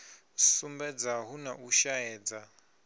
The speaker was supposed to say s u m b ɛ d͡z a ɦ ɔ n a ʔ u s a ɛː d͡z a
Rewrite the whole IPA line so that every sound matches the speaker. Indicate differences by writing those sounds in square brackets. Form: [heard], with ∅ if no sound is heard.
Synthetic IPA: s u m b ɛ d͡z a ɦ [u] n a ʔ u [ʃ] a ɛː d͡z a